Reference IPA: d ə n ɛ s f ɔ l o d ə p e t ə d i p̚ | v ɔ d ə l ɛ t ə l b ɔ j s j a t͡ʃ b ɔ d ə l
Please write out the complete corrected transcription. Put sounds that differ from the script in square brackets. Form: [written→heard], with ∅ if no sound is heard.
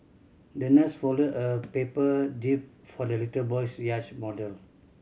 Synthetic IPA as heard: d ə n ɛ s f ɔ l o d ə p e [t→p] ə d i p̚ | [v→f] ɔ d ə l [ɛ→i] t ə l b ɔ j s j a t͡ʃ [b→m] ɔ d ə l